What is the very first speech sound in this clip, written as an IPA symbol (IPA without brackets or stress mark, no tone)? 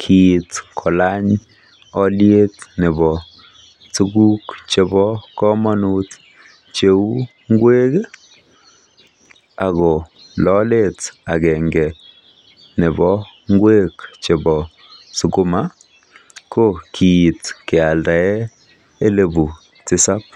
kʰ